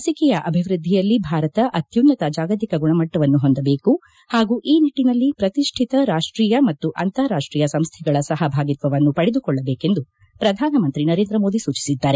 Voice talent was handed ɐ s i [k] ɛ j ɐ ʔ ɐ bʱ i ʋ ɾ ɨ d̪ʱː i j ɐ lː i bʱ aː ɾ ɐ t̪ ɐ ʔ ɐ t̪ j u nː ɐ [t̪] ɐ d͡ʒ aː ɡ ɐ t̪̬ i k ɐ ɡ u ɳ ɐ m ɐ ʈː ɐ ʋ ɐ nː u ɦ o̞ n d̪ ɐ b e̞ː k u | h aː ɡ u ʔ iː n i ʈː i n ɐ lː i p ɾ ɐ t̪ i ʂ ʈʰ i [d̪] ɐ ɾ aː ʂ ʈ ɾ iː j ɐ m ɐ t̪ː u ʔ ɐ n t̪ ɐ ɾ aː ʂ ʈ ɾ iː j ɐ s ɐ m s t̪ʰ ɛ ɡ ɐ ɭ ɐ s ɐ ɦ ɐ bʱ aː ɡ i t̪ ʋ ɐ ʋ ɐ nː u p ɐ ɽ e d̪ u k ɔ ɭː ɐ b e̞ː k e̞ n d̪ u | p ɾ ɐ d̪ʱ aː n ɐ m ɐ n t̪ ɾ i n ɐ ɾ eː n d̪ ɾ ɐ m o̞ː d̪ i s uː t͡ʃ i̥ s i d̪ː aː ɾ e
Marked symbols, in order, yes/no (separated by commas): yes, yes, no